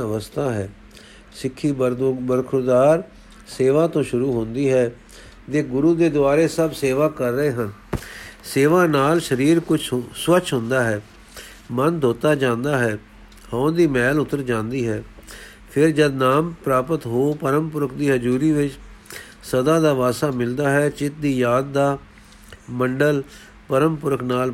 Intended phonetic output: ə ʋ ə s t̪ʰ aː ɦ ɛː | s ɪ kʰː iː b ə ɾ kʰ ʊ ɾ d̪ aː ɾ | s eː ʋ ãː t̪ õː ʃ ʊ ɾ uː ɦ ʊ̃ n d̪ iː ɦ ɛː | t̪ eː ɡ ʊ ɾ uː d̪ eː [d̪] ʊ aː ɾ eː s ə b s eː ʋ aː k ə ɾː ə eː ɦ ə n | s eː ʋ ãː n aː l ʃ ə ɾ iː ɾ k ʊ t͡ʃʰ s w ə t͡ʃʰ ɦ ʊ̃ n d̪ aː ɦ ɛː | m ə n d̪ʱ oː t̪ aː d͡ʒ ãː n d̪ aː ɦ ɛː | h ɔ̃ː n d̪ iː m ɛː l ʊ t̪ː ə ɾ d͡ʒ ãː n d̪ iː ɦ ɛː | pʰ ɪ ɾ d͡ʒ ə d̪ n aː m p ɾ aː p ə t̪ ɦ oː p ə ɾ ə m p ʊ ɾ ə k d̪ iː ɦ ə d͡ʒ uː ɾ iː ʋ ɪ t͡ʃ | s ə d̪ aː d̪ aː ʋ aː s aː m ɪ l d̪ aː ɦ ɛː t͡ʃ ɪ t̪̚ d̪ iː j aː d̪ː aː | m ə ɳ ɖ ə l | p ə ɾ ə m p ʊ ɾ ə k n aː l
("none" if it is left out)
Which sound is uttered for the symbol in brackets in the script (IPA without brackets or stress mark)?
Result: d̪